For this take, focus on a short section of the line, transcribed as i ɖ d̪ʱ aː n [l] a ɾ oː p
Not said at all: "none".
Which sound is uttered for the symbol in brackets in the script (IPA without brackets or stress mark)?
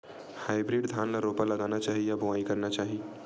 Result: l